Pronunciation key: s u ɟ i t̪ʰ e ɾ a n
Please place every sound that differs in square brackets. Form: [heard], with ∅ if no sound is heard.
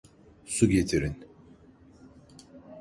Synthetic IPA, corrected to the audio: s u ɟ [e] t̪ʰ [i] ɾ [i] n